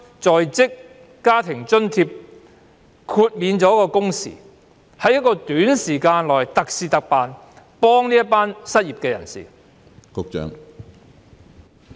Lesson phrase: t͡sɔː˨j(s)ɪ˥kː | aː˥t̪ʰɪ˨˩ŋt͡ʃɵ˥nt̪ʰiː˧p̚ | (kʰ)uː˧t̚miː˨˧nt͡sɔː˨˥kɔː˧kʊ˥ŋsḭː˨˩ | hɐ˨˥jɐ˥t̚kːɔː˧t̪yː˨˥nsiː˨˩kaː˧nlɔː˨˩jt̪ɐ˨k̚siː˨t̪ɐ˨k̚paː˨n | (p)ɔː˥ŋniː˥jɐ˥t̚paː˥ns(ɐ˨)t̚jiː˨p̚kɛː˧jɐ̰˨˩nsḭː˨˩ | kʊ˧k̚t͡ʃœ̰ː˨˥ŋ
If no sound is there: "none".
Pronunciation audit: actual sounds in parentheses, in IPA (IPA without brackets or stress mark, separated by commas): t͡s, kʰ, p, ɐ˥